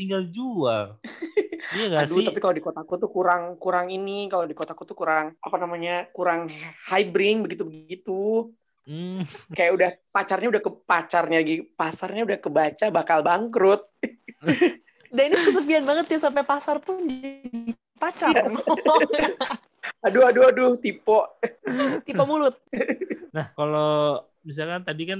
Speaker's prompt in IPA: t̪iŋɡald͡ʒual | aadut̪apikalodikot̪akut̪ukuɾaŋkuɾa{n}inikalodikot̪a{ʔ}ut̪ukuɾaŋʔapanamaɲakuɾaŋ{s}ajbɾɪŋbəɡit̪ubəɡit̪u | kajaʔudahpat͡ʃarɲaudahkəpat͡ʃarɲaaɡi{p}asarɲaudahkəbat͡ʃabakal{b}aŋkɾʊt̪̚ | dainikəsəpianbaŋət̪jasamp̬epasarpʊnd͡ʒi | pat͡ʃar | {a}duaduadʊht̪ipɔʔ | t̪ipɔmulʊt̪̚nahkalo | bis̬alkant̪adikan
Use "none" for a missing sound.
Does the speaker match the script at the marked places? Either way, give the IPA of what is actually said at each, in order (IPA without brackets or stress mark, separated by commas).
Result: ŋ, k, h, p, b, a